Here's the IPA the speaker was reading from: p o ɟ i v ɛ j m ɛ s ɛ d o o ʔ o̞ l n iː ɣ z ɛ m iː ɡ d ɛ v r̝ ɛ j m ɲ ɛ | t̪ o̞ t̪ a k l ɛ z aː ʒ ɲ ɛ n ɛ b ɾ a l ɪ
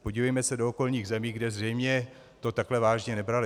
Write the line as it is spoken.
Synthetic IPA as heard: p o ɟ i v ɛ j m ɛ s ɛ d o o k o̞ l ɲ iː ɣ z ɛ m iː ɡ d ɛ z r̝ ɛ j m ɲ ɛ | t̪ o̞ t̪ a k l ɛ v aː ʒ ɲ ɛ n ɛ b ɾ a l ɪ